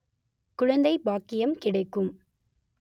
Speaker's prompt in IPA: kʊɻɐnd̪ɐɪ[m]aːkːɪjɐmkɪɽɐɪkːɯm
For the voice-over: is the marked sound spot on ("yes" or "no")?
no